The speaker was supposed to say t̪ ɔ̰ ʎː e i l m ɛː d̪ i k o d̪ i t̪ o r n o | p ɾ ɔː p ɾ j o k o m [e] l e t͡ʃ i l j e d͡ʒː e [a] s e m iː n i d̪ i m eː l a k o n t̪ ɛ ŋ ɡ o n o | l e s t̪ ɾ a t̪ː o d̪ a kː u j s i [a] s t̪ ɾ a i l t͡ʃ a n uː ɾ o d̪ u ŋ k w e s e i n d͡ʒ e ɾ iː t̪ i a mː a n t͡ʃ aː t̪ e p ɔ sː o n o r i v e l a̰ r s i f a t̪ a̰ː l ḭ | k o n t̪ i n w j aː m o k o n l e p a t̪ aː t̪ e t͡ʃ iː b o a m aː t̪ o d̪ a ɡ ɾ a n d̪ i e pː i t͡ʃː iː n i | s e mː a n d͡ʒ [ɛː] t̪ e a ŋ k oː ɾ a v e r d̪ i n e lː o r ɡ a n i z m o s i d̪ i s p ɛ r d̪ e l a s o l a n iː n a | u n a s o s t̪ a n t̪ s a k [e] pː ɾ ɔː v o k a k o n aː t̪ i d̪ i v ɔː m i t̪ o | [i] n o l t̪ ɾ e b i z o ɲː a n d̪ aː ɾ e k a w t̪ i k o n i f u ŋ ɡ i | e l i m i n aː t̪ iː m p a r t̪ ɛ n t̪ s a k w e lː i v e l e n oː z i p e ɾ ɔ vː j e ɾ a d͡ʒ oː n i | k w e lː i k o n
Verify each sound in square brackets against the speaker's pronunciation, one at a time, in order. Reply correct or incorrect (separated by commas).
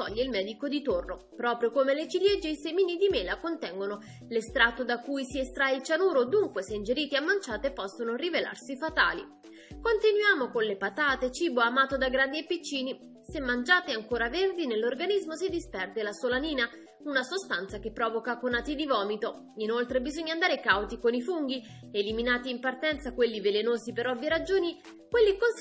correct, incorrect, incorrect, incorrect, correct, correct